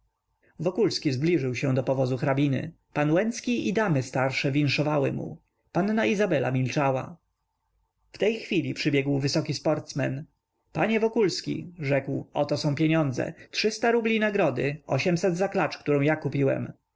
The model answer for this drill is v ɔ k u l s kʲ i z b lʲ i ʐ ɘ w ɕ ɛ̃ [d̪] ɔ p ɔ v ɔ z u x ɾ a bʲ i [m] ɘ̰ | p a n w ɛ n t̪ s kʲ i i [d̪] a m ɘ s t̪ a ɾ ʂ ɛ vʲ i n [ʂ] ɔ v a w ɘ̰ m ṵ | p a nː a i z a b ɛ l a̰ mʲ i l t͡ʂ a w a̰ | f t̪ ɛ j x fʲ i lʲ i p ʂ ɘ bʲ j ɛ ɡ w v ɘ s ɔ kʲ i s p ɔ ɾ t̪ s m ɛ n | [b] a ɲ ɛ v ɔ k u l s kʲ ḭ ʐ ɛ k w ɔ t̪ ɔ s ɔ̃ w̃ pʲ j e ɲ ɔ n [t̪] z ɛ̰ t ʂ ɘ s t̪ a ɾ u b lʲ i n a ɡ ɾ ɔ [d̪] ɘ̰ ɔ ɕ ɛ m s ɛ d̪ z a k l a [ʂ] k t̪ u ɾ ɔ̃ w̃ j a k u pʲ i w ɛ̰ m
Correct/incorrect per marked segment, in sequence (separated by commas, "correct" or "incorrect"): correct, incorrect, correct, correct, incorrect, incorrect, correct, incorrect